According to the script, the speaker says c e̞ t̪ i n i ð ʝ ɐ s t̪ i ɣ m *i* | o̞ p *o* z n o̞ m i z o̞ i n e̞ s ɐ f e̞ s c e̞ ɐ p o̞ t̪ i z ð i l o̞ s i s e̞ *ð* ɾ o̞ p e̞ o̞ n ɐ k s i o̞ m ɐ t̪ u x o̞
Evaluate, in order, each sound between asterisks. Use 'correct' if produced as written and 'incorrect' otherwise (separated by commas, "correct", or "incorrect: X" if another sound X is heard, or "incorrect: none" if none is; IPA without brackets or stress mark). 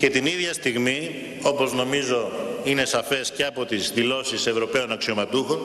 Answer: correct, correct, incorrect: v